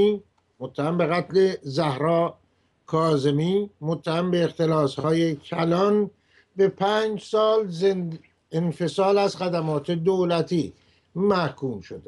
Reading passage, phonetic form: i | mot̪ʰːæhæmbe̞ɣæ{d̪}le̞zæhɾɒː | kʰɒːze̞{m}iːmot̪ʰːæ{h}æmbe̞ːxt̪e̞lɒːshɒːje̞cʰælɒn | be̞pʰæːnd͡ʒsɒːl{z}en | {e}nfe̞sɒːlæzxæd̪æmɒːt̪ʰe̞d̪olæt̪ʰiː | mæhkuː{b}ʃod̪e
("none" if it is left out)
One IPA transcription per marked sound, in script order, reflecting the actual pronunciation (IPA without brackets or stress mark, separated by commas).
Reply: t̪, m, h, z, e, m